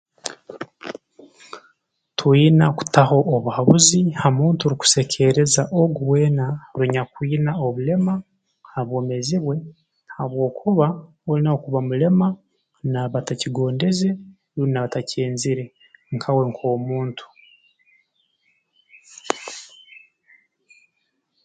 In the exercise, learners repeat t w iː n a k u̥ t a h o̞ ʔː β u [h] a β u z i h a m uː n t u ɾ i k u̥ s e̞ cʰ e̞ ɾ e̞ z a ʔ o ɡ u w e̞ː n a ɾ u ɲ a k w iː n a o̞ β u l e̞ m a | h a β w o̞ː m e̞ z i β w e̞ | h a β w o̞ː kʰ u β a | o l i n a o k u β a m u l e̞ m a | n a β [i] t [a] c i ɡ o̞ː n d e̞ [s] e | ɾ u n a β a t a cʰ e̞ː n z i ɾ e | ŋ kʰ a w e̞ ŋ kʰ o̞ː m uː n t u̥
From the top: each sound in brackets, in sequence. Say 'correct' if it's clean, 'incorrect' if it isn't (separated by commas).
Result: correct, incorrect, correct, incorrect